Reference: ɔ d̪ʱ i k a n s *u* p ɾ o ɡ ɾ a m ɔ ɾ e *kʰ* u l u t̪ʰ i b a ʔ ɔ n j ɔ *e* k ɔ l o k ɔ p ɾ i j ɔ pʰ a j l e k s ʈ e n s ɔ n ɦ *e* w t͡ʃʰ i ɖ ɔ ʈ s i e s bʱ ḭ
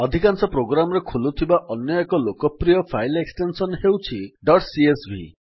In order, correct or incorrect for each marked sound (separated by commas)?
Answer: incorrect, correct, correct, correct